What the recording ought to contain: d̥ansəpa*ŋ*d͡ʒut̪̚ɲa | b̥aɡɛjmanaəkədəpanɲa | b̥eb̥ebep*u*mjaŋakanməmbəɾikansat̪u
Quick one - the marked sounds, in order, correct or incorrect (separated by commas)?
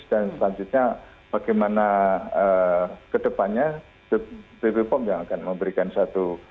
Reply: incorrect, incorrect